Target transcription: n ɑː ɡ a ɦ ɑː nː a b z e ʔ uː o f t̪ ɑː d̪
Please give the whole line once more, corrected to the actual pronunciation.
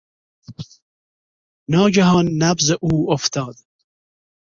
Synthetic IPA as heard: n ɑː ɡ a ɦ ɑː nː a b z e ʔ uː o f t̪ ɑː d̪